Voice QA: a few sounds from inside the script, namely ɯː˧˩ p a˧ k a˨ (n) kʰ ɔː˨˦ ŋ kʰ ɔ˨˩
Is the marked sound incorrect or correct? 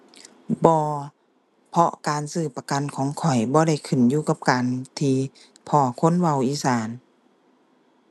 correct